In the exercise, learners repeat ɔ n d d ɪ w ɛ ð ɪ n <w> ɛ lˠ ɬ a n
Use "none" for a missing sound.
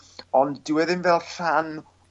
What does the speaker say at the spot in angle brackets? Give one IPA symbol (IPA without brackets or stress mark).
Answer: v